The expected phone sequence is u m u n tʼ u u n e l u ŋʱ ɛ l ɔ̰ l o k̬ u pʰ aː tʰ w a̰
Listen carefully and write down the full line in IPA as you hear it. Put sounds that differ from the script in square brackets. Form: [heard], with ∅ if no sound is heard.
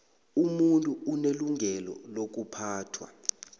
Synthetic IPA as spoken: u m u n tʼ u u n e l u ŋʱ ɛ l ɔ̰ l o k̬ u pʰ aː tʰ w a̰